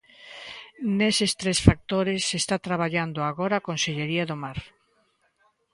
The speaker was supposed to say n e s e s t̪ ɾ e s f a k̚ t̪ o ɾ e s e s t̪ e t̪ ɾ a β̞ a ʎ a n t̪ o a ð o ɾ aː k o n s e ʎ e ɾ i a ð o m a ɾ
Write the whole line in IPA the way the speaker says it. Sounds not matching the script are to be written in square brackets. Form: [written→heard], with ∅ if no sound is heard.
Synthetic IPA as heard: n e s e s t̪ ɾ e s f a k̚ t̪ o ɾ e s e s t̪ [e→a] t̪ ɾ a β̞ a ʎ a n [t̪→d̪] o a [ð→ɣ] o ɾ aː k o n s e ʎ e ɾ i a ð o m a ɾ